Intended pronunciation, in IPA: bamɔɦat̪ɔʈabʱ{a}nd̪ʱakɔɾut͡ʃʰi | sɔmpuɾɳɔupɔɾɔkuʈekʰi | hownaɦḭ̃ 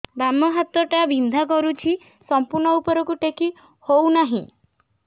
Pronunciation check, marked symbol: incorrect: i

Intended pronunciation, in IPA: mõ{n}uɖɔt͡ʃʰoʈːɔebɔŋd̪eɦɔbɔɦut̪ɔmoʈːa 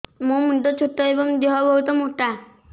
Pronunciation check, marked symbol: incorrect: m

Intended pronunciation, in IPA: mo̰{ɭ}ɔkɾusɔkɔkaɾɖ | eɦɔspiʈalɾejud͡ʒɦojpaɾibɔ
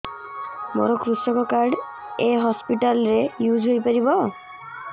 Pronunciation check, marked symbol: incorrect: ɾ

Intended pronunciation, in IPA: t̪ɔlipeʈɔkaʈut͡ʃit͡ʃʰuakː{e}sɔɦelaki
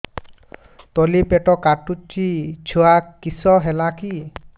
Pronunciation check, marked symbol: incorrect: i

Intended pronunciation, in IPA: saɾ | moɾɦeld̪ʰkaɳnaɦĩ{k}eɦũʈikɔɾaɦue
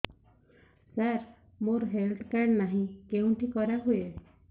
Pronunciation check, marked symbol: correct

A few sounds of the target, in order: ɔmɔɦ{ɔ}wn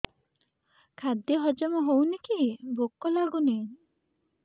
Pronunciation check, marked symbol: incorrect: o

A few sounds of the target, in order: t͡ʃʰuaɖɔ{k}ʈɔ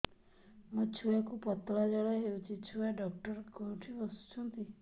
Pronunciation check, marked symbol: correct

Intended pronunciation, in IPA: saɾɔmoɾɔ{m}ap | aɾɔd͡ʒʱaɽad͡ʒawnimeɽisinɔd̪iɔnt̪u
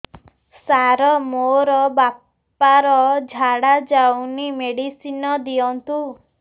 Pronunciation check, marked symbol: incorrect: b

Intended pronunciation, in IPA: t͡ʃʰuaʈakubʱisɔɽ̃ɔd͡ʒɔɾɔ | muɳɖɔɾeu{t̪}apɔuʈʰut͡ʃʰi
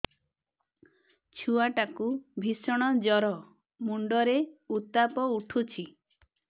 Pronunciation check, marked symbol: correct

